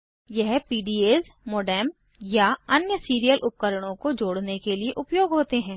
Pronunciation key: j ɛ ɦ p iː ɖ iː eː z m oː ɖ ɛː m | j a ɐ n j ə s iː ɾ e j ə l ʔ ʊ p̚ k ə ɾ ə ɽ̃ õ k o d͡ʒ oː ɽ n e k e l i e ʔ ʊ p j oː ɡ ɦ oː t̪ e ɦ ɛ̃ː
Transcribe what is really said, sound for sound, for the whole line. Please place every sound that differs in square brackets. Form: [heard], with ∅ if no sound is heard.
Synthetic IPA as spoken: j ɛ ɦ p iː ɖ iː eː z m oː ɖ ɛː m | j a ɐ n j ə s iː ɾ [i] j ə l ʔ ʊ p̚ k ə ɾ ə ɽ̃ õ k o d͡ʒ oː ɽ n e k e l i e ʔ ʊ p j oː ɡ ɦ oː t̪ e ɦ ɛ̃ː